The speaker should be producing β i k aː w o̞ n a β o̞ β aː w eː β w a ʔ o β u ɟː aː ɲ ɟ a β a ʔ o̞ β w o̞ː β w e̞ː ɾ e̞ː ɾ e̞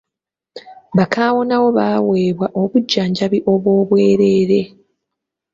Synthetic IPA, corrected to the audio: β a k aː w o̞ n a w o̞ β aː w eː β w a ʔ o β u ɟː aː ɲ ɟ a β i ʔ o̞ β w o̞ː β w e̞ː ɾ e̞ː ɾ e̞